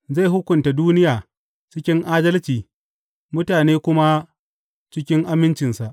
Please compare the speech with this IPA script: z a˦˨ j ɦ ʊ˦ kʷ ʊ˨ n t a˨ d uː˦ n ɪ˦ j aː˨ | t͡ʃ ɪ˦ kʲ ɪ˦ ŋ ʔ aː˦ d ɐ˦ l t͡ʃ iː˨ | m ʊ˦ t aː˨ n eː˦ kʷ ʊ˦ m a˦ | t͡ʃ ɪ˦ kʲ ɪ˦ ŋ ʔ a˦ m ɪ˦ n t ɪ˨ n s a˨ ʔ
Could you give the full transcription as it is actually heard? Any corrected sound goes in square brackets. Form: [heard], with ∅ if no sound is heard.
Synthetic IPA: z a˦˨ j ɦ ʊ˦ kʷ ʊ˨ n t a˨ d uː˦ n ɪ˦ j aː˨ | t͡ʃ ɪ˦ kʲ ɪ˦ ŋ ʔ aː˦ d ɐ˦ l t͡ʃ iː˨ | m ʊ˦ t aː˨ n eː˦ kʷ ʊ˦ m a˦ | t͡ʃ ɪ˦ kʲ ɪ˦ ŋ ʔ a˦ m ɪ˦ n [t͡ʃ] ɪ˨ n s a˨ ʔ